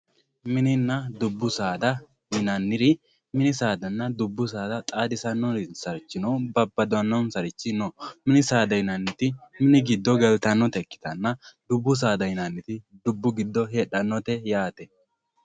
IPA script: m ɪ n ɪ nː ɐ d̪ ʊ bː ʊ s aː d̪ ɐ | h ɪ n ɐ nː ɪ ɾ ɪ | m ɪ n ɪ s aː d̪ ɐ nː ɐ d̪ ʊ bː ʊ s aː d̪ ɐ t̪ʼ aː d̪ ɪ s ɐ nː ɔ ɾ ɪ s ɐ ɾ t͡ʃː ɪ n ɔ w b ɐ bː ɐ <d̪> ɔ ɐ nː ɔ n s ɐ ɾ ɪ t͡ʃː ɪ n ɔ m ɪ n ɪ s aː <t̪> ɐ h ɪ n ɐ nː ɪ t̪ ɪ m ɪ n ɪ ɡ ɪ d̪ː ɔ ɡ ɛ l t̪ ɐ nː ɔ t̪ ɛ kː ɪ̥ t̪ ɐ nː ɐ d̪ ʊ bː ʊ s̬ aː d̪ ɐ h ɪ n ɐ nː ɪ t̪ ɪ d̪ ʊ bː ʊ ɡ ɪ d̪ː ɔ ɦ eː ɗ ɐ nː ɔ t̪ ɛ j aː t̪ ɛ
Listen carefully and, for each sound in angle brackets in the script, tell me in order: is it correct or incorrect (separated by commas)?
correct, incorrect